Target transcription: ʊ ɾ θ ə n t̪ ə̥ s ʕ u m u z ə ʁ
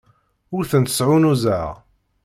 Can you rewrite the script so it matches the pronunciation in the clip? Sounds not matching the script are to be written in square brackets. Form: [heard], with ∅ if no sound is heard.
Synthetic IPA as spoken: ʊ ɾ θ ə n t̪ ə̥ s ʕ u [n] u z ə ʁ